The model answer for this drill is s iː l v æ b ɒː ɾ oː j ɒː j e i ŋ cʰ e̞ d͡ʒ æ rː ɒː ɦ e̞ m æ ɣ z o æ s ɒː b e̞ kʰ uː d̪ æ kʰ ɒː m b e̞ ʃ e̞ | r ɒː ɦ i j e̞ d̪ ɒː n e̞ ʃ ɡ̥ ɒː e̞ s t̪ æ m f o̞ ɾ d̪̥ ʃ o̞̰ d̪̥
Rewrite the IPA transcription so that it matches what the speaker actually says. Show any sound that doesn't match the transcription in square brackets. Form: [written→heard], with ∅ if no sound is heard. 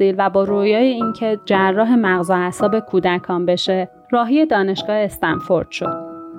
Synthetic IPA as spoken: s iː l v æ b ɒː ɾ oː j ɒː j e i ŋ cʰ e̞ d͡ʒ æ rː ɒː ɦ e̞ m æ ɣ z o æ s ɒː b e̞ kʰ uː d̪ æ kʰ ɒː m b e̞ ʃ e̞ | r ɒː ɦ i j e̞ d̪ ɒː n e̞ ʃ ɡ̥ ɒː e̞ s t̪ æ [m→n] f o̞ ɾ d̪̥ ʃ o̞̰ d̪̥